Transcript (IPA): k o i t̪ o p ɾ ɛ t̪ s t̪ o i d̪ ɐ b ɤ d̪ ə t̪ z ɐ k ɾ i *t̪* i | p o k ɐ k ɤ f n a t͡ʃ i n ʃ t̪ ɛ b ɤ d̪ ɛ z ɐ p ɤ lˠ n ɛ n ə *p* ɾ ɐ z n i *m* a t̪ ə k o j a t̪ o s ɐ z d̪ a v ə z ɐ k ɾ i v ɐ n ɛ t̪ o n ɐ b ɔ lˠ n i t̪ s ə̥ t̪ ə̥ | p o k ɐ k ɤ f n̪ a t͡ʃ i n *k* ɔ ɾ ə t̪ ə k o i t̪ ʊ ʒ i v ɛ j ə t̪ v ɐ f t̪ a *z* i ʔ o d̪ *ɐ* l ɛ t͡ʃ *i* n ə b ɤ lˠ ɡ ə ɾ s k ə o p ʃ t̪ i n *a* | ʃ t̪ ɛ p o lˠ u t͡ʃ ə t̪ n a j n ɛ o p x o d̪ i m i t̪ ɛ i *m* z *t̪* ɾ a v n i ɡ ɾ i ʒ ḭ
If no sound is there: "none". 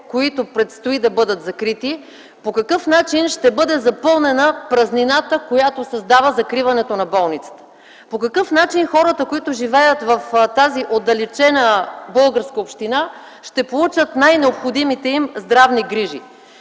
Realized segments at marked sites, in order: t̪, p, n, x, z, ɐ, ɛ, a, m, d̪

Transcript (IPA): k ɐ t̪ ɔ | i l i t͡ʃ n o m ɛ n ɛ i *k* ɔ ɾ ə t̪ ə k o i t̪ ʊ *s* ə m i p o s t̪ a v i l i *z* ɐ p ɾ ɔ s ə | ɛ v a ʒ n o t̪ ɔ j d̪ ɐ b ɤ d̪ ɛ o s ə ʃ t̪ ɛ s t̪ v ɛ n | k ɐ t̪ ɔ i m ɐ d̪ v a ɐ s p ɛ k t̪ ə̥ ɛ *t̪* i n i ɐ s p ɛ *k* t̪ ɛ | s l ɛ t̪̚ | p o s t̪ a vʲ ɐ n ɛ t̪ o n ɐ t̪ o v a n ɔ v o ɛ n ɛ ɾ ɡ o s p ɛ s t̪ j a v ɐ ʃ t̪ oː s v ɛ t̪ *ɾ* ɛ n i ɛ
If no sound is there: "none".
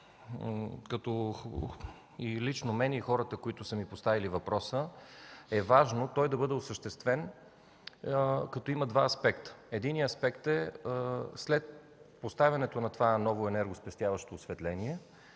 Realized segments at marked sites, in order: x, s, v, d̪, k, l

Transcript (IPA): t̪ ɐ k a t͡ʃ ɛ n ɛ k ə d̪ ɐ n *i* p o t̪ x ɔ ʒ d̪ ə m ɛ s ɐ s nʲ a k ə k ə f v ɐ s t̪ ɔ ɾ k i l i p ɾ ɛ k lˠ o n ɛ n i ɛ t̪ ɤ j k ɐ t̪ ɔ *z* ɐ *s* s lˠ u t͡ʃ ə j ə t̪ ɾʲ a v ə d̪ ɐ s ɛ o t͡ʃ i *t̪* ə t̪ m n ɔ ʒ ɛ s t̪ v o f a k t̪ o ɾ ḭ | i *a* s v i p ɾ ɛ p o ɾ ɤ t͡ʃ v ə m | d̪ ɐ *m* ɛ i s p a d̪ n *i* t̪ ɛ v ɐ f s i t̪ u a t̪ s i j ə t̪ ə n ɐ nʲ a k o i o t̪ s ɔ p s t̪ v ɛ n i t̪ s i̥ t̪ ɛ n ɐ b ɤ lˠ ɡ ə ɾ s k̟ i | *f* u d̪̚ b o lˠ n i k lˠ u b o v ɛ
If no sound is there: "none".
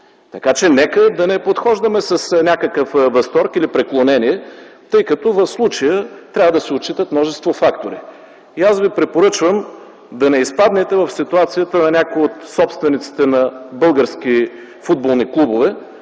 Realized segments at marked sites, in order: ɛ, v, f, t̪, a, n, ɛ, f

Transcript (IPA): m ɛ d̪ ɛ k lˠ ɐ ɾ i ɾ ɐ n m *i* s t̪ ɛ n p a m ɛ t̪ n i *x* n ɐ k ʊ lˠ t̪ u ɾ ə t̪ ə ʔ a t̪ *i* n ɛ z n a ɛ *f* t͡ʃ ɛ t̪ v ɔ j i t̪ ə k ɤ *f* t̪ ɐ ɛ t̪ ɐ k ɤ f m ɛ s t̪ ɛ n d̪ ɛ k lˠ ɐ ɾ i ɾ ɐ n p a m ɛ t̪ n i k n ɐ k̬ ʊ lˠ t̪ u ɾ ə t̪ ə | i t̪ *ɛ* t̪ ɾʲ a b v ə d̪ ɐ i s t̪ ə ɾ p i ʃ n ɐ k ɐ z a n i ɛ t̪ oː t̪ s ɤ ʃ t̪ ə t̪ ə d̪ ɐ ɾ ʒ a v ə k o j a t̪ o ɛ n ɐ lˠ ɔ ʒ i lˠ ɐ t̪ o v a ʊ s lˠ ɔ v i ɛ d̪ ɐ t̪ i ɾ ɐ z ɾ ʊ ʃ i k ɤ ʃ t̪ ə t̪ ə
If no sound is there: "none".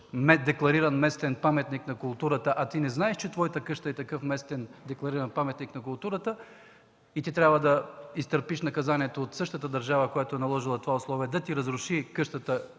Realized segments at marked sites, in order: ɛ, k, i, ʃ, ʃ, i

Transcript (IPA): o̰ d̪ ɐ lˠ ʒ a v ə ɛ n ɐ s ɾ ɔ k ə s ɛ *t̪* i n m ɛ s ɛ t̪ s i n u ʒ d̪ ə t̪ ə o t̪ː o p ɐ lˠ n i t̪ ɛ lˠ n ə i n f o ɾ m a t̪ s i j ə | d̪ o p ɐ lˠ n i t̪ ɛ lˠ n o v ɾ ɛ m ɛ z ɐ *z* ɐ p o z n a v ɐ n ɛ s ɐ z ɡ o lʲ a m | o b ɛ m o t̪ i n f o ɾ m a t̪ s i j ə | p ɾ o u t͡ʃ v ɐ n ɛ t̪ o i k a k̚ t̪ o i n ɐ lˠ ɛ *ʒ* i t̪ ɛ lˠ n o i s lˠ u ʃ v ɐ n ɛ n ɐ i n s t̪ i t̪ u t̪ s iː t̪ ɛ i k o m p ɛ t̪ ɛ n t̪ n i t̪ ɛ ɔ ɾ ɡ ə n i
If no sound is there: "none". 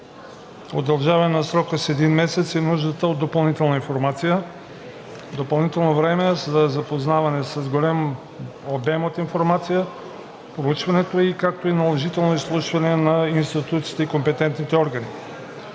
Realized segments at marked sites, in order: d̪, z, ʒ

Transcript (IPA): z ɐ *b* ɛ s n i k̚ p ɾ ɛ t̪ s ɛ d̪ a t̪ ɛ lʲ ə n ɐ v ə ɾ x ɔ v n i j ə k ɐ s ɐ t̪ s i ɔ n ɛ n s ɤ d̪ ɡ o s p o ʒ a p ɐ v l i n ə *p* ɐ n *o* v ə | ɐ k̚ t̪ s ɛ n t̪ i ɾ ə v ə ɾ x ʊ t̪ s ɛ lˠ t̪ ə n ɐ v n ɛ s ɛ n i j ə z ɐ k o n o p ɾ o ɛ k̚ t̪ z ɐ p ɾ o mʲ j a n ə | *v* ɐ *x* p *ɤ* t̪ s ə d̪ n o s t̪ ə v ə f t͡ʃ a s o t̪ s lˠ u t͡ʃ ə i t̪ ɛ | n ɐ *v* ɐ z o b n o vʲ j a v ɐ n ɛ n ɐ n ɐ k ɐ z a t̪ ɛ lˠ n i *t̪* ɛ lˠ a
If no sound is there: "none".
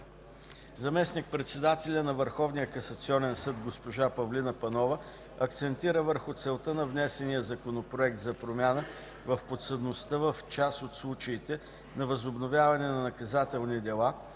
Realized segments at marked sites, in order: m, p, ɔ, v, f, o, v, d̪

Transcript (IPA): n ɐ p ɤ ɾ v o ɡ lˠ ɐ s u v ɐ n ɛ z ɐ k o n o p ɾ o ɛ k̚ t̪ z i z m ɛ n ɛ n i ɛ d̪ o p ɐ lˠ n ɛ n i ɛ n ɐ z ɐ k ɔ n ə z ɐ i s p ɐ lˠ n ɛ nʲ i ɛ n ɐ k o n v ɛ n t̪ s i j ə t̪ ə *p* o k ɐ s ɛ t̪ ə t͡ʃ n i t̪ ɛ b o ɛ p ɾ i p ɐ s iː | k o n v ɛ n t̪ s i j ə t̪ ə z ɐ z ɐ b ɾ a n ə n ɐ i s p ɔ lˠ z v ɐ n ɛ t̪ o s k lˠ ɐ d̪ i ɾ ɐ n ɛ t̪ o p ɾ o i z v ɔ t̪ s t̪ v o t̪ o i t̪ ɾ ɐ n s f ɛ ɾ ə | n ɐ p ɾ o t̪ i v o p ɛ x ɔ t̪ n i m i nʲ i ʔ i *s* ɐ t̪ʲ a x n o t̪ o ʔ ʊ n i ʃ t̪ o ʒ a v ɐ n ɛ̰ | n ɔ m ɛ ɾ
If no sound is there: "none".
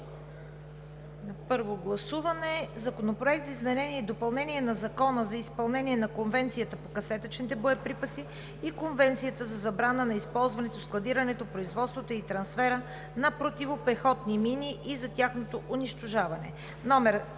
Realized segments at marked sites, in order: p, z

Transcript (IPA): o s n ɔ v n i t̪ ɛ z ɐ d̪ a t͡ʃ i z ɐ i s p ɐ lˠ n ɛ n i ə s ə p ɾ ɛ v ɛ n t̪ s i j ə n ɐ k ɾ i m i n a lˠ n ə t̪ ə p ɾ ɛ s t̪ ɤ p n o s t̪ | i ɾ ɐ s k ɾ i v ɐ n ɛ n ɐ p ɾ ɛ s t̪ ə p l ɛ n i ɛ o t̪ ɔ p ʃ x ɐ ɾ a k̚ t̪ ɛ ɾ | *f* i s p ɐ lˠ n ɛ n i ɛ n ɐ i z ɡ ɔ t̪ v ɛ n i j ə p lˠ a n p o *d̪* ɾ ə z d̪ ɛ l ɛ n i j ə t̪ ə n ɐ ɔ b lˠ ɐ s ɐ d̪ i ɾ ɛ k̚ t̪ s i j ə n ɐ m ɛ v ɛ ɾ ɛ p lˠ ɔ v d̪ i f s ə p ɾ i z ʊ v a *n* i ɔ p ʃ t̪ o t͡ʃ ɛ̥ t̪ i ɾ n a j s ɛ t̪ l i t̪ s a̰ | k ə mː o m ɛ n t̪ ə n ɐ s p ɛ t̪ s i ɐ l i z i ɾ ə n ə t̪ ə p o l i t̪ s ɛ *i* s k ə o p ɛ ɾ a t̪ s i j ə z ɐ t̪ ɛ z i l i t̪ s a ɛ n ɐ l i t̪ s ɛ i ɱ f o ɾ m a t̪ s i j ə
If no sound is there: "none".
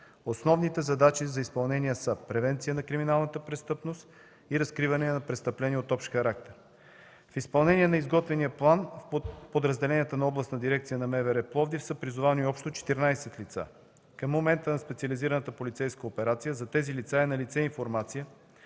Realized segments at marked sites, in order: f, d̪, n, j

